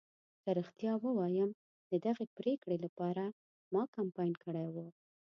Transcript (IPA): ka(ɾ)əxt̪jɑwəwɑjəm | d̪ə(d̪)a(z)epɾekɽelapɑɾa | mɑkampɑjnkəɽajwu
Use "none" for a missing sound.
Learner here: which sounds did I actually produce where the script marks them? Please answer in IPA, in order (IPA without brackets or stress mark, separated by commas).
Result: ɾ, d̪, ɣ